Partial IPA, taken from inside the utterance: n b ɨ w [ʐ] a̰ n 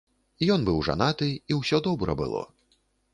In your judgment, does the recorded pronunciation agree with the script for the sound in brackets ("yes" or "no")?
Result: yes